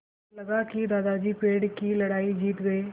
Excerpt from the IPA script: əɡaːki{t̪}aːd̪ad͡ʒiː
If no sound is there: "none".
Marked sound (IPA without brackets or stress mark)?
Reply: d̪